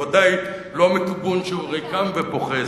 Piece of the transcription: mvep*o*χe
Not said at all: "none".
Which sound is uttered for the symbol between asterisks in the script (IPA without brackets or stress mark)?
o